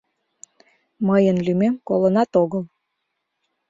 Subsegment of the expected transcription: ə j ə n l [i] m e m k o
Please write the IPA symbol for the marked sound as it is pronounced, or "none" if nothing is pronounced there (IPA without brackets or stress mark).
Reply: y